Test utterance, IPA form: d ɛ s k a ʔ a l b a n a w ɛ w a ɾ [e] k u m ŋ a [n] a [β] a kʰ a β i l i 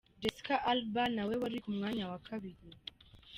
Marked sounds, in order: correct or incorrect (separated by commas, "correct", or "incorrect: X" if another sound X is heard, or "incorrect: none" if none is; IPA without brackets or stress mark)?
incorrect: i, incorrect: ɲ, incorrect: w